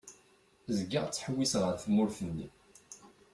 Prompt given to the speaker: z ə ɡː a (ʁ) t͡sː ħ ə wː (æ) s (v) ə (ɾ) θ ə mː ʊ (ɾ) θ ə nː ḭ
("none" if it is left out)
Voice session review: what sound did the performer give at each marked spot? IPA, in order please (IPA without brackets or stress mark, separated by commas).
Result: ʁ, i, ʁ, ɾ, ɾ